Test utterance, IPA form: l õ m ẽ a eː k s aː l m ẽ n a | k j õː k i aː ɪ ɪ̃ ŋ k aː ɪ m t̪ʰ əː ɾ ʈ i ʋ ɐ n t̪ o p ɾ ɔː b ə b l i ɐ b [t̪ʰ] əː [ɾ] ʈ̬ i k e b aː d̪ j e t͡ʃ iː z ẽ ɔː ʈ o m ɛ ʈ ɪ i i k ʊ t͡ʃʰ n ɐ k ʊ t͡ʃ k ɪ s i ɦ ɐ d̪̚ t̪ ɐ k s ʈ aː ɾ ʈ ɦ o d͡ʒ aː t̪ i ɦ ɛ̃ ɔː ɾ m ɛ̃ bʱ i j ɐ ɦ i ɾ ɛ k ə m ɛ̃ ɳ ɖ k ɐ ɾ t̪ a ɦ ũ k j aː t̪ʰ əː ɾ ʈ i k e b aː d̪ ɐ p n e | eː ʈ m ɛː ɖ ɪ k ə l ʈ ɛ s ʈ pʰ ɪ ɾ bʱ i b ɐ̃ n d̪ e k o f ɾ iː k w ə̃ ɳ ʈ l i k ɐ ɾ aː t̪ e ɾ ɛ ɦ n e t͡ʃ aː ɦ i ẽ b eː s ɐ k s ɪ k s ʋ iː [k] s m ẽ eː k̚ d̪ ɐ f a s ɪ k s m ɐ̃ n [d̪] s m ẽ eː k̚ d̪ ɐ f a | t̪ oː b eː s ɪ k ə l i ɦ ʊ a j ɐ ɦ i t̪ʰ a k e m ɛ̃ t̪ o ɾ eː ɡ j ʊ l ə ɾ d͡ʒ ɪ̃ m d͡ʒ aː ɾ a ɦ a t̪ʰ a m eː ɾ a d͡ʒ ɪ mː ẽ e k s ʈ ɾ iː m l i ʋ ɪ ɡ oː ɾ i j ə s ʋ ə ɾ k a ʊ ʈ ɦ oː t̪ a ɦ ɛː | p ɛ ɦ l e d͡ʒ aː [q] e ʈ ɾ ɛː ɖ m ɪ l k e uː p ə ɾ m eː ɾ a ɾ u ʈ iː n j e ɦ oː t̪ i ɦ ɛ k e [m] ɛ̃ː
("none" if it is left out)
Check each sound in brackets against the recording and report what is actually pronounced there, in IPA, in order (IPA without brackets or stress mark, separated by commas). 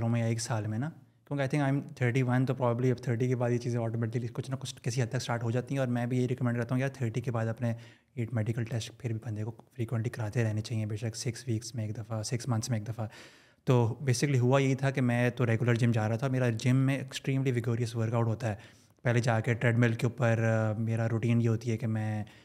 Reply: t̪ʰ, ɾ, k, t̪, k, m